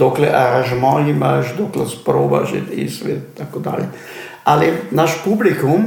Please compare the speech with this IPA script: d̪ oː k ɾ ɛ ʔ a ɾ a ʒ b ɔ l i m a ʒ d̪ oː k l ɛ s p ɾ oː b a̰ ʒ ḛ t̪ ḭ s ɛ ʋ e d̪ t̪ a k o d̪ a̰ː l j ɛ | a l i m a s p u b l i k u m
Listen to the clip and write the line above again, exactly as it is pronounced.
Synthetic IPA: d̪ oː k l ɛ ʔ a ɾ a ʒ m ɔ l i m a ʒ d̪ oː k l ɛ s p ɾ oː b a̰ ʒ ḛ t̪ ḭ s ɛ ʋ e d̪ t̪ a k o d̪ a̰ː l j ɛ | a l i n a ʃ p u b l i k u m